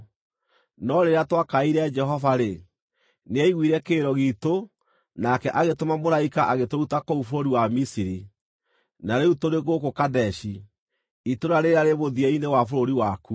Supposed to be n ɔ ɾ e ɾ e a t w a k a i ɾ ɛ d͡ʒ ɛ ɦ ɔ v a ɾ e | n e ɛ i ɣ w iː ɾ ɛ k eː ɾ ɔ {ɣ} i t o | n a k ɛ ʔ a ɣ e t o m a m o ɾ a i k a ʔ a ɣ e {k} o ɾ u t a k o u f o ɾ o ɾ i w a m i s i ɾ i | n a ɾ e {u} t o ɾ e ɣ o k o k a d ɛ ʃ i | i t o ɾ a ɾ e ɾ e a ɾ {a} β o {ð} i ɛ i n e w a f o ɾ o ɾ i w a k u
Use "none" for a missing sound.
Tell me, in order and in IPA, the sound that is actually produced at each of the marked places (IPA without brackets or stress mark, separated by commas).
ɣ, t, u, e, ð